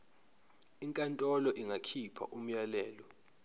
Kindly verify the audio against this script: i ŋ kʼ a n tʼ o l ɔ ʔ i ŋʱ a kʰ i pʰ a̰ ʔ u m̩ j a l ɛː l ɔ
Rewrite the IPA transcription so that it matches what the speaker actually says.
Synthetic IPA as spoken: i ŋ kʼ a n tʼ ɔ l ɔ ʔ i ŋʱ a kʰ i pʰ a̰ ʔ u m̩ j a l ɛː l ɔ